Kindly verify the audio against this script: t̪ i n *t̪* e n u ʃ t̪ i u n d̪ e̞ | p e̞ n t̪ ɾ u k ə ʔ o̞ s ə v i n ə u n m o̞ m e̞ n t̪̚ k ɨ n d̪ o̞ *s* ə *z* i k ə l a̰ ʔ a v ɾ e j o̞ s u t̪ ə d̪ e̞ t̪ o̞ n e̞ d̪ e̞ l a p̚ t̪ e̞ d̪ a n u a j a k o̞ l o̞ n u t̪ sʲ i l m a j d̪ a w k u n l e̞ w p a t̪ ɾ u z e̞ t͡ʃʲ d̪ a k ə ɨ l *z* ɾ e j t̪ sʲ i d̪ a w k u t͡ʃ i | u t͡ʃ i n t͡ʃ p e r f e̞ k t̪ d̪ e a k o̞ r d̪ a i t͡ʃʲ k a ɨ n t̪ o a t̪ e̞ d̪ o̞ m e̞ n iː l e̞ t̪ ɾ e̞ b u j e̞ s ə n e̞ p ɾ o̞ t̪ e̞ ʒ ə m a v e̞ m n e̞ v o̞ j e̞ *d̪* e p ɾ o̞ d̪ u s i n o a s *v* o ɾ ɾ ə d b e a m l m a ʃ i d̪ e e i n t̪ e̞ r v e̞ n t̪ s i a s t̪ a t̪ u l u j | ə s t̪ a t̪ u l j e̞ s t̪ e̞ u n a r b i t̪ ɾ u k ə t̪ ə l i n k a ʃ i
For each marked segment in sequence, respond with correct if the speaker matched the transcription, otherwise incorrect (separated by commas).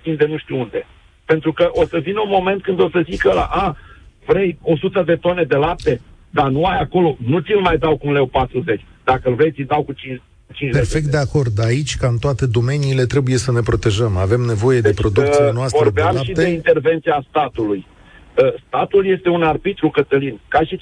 incorrect, correct, correct, incorrect, correct, correct